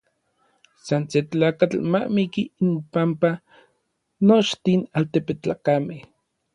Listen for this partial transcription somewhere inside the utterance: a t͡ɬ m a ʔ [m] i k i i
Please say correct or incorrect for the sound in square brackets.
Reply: correct